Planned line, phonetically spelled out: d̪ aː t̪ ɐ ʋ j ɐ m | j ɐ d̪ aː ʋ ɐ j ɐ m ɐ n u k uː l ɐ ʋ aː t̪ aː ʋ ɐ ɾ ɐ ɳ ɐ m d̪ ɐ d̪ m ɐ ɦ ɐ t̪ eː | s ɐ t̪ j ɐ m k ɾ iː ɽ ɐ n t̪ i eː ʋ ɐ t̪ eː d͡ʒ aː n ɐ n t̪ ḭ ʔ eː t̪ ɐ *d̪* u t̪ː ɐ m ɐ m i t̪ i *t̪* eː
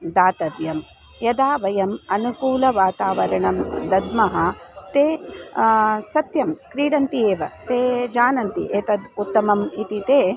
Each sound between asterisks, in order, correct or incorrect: correct, correct

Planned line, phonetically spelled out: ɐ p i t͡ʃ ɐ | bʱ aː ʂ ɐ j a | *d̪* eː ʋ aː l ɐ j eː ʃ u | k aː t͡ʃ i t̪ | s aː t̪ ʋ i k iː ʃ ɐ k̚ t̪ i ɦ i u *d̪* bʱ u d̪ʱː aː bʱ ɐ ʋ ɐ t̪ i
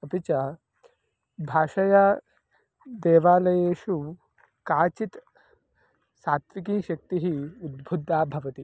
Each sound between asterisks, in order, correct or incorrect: correct, correct

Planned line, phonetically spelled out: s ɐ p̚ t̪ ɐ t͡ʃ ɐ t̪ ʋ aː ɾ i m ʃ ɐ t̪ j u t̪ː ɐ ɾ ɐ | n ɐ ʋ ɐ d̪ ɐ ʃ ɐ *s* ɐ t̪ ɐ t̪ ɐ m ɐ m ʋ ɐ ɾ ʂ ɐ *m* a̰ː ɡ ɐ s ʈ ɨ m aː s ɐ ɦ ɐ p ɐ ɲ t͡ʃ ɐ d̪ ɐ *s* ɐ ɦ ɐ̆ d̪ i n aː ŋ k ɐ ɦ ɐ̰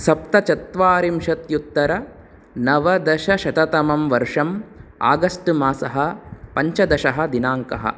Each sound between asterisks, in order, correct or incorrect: incorrect: ʃ, correct, incorrect: ʃ

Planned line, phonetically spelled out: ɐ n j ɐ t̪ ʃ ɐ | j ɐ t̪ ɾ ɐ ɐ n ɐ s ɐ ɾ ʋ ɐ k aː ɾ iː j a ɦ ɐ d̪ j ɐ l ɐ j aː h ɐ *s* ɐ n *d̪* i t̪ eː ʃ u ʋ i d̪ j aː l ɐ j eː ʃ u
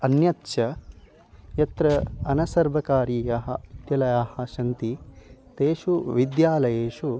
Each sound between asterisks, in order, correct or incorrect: incorrect: ʃ, incorrect: t̪

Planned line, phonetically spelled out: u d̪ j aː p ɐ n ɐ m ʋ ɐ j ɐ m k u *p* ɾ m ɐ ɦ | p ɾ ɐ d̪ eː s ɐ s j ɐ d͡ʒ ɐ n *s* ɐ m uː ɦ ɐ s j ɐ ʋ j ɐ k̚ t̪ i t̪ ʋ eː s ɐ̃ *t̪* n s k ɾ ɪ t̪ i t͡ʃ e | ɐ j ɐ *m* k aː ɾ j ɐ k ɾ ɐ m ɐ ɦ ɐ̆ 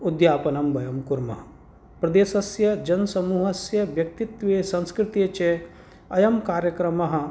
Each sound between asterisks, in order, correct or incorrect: incorrect: none, correct, incorrect: none, correct

